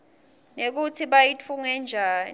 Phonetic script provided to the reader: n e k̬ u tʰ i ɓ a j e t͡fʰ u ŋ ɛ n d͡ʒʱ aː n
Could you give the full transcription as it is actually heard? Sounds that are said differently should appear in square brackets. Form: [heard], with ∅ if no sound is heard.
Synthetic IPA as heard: n e k̬ u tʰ i ɓ a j [i] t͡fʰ u ŋ ɛ n d͡ʒʱ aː n